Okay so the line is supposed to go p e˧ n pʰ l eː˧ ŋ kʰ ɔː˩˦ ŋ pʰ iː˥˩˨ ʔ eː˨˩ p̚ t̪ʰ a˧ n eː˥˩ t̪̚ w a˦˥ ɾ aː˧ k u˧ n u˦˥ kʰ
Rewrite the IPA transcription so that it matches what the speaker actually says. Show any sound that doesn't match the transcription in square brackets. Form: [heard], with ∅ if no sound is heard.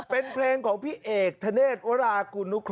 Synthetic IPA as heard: p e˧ n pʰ l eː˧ ŋ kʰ ɔː˩˦ ŋ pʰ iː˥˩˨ ʔ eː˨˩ [k̚] t̪ʰ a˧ n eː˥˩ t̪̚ w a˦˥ ɾ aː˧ k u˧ n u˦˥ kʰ